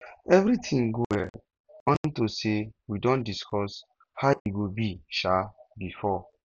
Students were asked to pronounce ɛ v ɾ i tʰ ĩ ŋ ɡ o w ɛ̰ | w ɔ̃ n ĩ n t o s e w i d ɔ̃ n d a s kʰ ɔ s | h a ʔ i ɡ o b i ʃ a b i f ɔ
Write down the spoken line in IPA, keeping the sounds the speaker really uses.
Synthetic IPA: ɛ v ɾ i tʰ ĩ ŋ ɡ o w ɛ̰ | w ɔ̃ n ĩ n t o s e w i d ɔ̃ n d i s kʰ ɔ s | h a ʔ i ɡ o b i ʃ a b i f ɔ